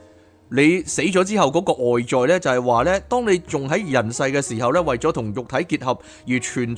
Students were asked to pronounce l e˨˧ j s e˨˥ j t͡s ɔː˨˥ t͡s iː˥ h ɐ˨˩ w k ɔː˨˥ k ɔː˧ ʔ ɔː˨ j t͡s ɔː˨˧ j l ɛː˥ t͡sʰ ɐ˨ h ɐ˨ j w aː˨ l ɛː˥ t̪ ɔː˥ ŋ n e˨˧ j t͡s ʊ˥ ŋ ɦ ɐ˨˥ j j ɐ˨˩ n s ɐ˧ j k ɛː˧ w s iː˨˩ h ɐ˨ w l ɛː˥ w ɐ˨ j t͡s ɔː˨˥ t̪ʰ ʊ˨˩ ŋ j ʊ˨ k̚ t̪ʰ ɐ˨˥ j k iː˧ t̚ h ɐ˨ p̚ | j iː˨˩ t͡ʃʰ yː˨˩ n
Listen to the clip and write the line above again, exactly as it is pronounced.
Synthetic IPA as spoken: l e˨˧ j s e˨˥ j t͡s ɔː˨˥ t͡s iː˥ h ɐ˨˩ w k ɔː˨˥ k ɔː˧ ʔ ɔː˨ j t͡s ɔː˨˧ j l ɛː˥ t͡s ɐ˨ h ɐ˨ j w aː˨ l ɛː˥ t̪ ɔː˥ ŋ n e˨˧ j t͡s ʊ˨ ŋ ɦ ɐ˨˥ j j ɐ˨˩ n s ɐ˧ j k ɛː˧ s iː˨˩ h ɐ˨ w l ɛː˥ w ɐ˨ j t͡s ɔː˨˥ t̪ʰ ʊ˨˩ ŋ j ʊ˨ k̚ t̪ʰ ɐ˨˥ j k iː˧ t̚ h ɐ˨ p̚ | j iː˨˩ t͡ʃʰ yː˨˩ n